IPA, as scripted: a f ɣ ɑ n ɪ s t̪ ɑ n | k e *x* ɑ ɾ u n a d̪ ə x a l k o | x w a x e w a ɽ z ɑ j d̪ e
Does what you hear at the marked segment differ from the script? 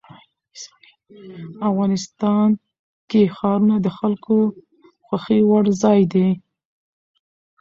no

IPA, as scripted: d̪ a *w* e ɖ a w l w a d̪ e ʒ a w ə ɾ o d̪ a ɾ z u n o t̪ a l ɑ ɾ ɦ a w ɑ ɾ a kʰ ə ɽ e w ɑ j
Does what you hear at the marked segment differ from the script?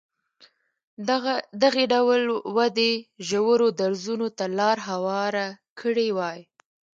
yes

